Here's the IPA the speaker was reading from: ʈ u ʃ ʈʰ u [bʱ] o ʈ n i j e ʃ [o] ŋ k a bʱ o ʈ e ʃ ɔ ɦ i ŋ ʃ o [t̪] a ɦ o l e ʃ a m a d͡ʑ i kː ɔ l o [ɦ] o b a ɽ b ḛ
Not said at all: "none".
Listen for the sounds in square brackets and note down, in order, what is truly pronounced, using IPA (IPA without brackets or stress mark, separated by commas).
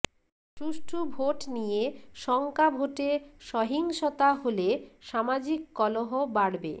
bʱ, ɔ, t̪, ɦ